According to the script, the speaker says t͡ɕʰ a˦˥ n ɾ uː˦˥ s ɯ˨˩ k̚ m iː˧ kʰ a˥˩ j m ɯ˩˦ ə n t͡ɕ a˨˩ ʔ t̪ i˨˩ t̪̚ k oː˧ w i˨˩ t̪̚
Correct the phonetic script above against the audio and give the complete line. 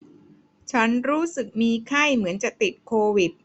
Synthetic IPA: t͡ɕʰ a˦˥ n ɾ uː˦˥ s ɯ˨˩ k̚ m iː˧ kʰ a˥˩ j m ɯ˩˦ ə n t͡ɕ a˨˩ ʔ t̪ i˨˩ t̪̚ kʰ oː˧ w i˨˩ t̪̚